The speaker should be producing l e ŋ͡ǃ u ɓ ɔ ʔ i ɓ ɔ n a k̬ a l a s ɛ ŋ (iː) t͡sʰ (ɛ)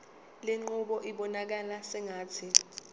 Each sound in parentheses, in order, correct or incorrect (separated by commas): incorrect, incorrect